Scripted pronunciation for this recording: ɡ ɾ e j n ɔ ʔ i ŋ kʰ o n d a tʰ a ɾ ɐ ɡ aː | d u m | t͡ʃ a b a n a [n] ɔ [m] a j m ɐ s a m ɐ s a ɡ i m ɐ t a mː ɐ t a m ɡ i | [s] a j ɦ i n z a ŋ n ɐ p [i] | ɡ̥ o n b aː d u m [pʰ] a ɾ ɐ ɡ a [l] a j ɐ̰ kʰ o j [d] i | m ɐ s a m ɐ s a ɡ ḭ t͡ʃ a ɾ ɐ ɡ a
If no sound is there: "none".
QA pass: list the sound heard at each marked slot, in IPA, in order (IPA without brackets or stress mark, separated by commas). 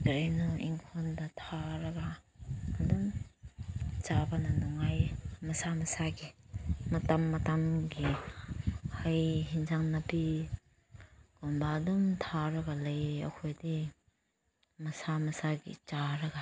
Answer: n, ŋ, h, i, tʰ, l, d